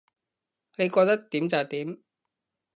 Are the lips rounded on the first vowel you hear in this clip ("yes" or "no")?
no